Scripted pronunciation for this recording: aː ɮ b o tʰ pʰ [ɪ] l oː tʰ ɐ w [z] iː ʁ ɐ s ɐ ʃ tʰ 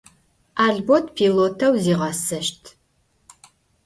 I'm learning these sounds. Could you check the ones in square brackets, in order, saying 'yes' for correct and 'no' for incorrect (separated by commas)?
no, yes